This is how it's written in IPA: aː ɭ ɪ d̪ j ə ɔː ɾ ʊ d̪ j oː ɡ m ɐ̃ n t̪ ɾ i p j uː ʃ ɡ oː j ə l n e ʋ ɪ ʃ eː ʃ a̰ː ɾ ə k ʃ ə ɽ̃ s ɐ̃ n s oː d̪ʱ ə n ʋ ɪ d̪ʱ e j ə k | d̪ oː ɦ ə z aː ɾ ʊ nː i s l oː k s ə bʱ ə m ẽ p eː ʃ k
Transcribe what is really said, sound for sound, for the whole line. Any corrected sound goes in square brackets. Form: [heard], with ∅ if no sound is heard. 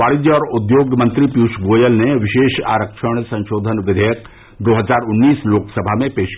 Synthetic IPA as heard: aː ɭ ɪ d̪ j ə ɔː ɾ ʊ d̪ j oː ɡ m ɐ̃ n t̪ ɾ i p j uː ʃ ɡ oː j ə l n e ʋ ɪ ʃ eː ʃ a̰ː ɾ ə k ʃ ə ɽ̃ s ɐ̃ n [ʃ] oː d̪ʱ ə n ʋ ɪ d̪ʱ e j ə k | d̪ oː ɦ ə z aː ɾ ʊ nː [iː] s l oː k s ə bʱ [a] m ẽ p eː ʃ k